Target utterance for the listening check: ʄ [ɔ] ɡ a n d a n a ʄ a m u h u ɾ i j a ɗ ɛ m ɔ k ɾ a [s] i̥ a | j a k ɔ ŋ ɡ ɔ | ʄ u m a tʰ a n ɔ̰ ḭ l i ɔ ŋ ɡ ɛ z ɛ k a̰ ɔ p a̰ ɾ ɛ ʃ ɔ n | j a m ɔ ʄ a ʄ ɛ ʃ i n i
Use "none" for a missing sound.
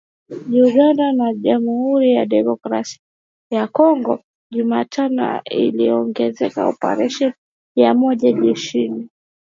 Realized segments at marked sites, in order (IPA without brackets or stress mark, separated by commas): u, s